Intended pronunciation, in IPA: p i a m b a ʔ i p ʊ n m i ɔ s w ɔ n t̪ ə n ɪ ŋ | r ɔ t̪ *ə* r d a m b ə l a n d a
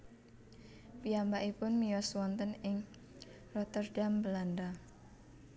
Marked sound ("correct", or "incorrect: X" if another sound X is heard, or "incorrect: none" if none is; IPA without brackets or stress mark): correct